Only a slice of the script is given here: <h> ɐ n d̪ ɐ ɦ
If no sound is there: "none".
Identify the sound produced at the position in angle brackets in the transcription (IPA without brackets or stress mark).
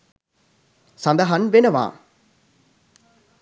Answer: s